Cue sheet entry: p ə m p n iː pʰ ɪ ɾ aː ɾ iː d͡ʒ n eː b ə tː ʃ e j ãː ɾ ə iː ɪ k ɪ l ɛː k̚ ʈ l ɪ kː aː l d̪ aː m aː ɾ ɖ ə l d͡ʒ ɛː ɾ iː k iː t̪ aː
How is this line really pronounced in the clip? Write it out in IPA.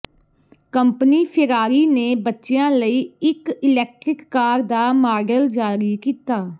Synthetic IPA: k ə m p n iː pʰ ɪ ɾ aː ɾ iː n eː b ə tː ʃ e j ãː l ə iː ɪ k ɪ l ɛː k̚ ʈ ɾ ɪ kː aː ɾ d̪ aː m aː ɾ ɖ ə l d͡ʒ aː ɾ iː k iː t̪ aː